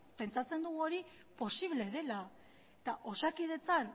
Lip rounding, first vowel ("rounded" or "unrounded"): unrounded